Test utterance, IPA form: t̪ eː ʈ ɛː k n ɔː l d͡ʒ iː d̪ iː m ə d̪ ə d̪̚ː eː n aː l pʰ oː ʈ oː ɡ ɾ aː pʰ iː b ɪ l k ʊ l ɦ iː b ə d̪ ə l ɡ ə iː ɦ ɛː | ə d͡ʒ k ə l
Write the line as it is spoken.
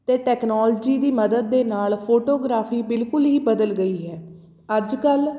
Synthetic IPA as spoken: t̪ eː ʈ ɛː k n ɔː l d͡ʒ iː d̪ iː m ə d̪ ə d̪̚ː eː n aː l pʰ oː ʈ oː ɡ ɾ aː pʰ iː b ɪ l k ʊ l ɦ iː b ə d̪ ə l ɡ ə iː ɦ ɛː | ə d͡ʒ k ə l